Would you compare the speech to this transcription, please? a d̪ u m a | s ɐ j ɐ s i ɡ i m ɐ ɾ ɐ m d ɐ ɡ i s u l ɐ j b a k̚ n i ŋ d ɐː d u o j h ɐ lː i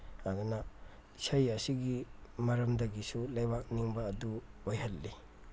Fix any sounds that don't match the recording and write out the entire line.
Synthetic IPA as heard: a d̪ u n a | s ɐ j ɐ s i ɡ i m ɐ ɾ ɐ m d ɐ ɡ i s u l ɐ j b a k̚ n i ŋ b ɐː d u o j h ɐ lː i